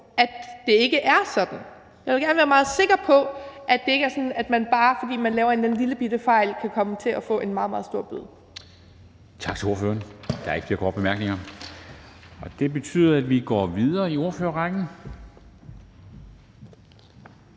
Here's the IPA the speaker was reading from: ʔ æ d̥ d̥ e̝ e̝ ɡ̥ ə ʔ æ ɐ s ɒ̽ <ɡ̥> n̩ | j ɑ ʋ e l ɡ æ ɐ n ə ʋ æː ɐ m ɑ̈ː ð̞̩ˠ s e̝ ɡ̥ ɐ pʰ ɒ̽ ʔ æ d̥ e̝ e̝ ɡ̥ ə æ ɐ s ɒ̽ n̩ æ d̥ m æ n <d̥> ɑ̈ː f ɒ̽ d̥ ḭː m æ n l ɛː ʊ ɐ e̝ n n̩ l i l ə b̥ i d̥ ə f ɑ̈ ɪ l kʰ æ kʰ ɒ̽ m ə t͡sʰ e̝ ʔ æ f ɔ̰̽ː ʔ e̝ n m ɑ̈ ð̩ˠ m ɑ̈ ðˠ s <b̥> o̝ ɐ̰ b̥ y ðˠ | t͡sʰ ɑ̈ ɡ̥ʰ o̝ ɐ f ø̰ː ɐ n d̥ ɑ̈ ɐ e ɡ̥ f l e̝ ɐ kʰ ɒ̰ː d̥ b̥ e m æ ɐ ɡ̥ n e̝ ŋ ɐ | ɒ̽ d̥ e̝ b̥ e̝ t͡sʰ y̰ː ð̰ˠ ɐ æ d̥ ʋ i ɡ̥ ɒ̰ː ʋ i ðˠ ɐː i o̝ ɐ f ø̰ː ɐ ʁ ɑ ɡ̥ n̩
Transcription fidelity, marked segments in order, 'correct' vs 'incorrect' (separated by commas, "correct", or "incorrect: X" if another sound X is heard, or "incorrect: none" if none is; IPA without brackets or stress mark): incorrect: d̥, incorrect: b̥, incorrect: d̥